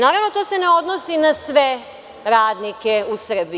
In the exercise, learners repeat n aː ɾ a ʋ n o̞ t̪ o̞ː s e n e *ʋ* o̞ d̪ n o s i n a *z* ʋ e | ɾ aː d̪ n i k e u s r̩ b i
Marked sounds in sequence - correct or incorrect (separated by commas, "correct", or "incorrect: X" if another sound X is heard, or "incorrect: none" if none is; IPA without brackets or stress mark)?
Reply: incorrect: none, incorrect: s